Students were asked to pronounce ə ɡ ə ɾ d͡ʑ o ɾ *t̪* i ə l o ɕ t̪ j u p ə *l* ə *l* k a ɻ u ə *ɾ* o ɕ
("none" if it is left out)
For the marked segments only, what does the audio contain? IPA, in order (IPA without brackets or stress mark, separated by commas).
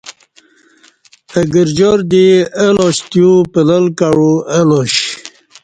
d̪, l, l, l